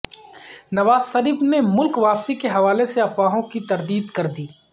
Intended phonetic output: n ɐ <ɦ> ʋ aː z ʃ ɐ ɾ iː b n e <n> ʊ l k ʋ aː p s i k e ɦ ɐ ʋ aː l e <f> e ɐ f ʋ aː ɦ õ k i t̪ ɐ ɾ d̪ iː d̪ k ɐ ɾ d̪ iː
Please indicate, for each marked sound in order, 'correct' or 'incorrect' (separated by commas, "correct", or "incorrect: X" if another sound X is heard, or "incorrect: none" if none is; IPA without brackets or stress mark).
incorrect: none, incorrect: m, incorrect: s